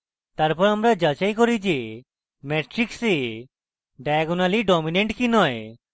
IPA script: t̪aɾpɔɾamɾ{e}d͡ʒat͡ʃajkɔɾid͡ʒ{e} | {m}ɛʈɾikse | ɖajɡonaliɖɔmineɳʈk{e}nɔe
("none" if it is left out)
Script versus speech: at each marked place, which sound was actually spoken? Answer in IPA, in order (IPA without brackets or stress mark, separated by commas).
a, e, m, i